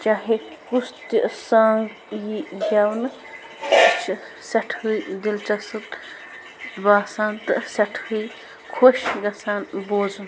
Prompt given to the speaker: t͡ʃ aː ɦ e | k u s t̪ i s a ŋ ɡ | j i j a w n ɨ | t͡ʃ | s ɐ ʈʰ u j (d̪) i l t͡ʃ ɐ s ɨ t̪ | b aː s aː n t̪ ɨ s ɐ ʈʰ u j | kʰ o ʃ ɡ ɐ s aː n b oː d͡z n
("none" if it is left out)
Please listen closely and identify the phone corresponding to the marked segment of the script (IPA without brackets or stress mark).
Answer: d̪